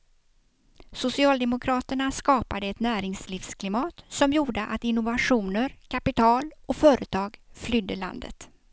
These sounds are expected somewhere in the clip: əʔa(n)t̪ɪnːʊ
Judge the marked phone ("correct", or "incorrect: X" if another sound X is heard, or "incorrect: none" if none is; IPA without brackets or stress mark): incorrect: none